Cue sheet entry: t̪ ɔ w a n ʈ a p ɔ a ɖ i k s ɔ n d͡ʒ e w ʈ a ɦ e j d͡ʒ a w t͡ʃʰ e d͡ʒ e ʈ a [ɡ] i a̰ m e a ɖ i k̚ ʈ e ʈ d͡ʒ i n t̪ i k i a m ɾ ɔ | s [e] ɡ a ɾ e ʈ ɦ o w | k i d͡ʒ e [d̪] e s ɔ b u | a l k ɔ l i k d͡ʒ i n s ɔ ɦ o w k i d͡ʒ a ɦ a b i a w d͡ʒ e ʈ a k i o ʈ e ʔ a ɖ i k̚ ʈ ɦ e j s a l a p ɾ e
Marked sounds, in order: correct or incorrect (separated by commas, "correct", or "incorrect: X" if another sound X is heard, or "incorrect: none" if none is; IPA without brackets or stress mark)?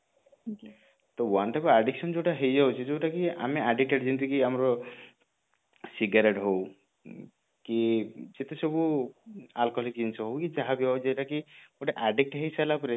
incorrect: k, incorrect: i, incorrect: t̪